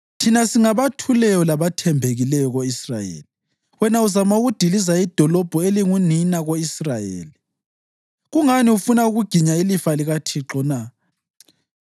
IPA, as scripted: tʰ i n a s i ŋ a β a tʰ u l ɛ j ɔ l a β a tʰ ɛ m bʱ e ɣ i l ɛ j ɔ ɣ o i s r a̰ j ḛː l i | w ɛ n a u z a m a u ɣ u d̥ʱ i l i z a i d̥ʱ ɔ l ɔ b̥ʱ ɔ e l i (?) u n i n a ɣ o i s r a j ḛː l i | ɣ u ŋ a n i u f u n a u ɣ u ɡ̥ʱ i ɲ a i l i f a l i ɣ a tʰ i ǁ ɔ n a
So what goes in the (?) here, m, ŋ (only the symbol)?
ŋ